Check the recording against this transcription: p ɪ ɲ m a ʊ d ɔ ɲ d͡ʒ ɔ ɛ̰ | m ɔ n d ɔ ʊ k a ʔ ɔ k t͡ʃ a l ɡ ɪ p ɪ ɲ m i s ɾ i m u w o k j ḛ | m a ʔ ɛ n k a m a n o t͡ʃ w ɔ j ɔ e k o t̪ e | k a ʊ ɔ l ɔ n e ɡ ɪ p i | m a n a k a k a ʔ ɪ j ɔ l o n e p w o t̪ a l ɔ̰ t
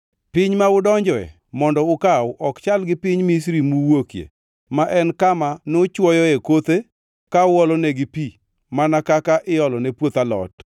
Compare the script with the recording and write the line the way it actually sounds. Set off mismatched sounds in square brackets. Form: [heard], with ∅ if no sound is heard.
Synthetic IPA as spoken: p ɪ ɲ m a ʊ d ɔ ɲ d͡ʒ ɔ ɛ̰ | m ɔ n d ɔ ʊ k a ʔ ɔ k t͡ʃ a l ɡ ɪ p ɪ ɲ m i s ɾ i m u w o k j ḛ | m a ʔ ɛ n k a m a n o t͡ʃ w ɔ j ɔ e k o t̪ e | k a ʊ ɔ l ɔ n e ɡ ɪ p i | m a n a k a k a ʔ ɪ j ɔ l [ɔ] n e p w o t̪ a l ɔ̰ t